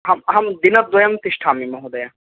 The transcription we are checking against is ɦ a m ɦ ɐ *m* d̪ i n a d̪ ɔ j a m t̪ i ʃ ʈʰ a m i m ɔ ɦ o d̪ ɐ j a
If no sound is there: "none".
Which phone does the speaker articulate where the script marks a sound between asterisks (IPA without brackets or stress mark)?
m